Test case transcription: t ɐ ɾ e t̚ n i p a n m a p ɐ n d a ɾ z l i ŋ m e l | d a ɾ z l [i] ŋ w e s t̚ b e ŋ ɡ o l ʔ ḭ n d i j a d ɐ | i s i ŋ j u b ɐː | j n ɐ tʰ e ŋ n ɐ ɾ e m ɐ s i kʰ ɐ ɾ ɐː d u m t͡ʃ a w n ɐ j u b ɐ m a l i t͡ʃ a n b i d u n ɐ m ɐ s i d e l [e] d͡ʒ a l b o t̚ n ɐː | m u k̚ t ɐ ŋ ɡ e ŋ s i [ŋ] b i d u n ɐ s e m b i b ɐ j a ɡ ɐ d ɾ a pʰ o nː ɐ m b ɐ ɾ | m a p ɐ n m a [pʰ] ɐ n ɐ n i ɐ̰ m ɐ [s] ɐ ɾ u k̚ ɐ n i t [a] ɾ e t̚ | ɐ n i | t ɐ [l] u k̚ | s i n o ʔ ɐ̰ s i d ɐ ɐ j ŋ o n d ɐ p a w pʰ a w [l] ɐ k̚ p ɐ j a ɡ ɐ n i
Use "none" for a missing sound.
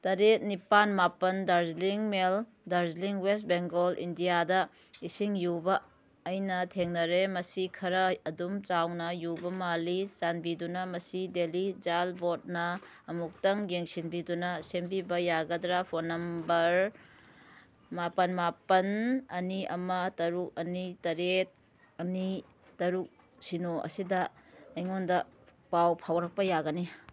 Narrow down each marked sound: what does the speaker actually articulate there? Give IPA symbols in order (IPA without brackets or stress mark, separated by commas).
i, i, n, p, t, ɐ, ɾ, ɾ